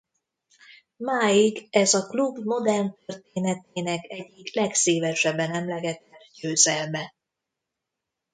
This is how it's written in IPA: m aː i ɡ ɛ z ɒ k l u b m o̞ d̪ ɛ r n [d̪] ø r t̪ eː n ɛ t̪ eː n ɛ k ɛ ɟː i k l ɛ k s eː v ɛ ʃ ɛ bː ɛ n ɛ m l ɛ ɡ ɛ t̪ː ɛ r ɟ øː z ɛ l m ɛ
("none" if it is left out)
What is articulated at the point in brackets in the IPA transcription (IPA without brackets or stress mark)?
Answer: t̪